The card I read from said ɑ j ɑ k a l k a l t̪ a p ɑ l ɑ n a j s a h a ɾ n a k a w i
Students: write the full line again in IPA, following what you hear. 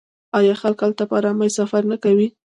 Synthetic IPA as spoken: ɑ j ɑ x a l k a l t̪ a p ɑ ɾ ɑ m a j s a f a ɾ n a k a w i